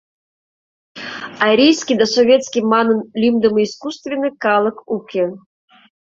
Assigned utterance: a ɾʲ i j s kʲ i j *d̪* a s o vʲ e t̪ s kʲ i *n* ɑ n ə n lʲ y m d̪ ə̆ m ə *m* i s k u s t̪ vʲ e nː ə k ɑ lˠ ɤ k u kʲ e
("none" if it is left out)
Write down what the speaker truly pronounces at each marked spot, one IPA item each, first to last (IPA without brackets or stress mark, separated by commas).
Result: d̪, m, none